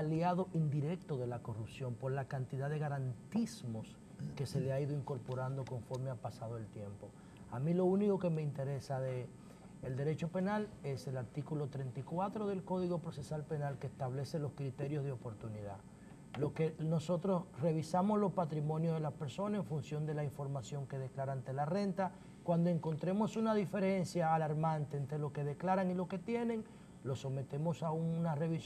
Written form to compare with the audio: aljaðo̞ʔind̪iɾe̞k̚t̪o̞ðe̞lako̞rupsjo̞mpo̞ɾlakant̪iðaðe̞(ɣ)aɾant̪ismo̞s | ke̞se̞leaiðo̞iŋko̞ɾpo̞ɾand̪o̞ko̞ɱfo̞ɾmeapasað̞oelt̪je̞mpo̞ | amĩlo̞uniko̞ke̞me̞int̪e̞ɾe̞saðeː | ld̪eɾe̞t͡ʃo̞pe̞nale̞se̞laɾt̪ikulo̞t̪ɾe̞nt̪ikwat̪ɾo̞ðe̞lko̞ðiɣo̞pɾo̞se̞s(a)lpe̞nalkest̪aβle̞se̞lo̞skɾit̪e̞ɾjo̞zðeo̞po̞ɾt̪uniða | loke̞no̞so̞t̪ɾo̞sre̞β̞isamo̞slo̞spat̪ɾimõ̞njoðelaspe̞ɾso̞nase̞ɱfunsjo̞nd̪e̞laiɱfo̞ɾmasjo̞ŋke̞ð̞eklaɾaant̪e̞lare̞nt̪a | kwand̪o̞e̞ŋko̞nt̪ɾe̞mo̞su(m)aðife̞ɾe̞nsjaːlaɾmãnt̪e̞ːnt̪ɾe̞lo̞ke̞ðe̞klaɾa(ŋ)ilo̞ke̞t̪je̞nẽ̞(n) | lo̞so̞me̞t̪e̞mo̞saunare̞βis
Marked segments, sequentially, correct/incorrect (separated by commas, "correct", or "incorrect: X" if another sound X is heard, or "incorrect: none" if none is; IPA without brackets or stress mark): correct, correct, incorrect: n, correct, incorrect: ŋ